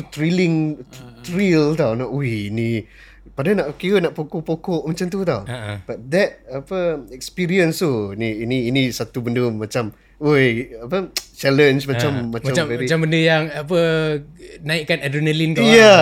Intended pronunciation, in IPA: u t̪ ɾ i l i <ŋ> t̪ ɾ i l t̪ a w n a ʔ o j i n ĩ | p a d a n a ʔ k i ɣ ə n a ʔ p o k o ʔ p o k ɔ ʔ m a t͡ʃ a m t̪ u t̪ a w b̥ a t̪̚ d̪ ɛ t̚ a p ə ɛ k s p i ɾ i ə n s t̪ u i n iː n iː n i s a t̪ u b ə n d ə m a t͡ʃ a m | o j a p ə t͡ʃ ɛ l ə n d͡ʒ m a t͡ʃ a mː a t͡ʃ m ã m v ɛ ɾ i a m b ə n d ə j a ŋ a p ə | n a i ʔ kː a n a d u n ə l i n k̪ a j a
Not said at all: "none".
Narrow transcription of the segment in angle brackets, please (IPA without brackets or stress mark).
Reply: ŋ